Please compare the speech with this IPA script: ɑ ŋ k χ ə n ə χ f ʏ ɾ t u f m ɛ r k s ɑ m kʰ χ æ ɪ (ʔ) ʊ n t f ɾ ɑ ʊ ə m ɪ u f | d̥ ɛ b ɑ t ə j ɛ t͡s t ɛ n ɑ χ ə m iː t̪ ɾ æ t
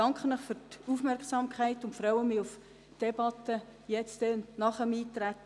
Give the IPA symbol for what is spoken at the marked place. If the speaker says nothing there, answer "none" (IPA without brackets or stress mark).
t